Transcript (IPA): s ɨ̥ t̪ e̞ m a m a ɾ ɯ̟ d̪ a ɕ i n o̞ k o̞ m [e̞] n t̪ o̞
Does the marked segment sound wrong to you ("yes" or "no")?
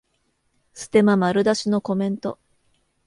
yes